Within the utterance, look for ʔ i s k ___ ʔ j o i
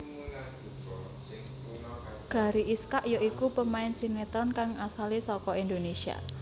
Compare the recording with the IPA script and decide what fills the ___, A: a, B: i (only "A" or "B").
A